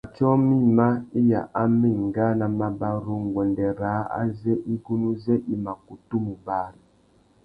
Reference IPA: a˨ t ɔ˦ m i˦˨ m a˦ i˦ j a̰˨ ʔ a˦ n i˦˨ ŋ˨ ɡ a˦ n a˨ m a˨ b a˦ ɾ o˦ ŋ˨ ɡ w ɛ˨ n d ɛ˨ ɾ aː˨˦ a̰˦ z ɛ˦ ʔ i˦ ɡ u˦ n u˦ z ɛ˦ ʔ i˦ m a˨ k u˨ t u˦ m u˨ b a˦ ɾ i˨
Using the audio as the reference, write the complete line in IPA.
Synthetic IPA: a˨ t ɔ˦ m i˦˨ m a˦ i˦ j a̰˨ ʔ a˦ m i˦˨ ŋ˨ ɡ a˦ n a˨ m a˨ b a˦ ɾ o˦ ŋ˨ ɡ w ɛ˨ n d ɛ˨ ɾ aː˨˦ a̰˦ z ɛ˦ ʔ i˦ ɡ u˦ n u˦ z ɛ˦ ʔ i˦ m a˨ k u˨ t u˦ m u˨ b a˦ ɾ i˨